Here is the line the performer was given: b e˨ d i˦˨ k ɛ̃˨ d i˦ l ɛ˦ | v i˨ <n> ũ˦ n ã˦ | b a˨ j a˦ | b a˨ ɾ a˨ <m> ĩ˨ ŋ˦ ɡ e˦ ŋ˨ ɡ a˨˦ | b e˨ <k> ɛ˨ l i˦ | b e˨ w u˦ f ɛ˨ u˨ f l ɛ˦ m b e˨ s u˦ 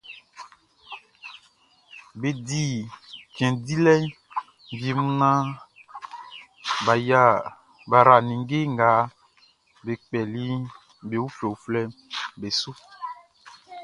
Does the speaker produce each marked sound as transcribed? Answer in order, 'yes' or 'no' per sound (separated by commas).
no, no, no